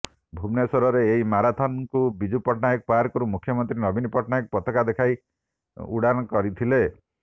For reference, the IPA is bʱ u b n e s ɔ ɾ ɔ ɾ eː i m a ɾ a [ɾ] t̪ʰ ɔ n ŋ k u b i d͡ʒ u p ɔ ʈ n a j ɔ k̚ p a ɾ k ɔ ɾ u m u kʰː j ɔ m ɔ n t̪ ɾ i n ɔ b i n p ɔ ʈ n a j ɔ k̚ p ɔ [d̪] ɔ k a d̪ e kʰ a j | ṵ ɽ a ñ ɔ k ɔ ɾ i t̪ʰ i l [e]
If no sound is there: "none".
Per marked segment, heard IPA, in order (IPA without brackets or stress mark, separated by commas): none, t̪, e